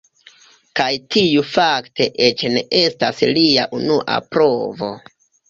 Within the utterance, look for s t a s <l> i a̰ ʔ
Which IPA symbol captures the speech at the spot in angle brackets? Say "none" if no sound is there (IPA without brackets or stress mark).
l